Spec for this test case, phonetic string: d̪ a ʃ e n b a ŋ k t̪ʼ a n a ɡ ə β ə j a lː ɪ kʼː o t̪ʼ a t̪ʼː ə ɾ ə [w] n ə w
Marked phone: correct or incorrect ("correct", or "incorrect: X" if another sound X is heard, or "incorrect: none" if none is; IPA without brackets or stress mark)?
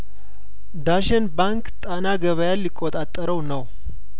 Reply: correct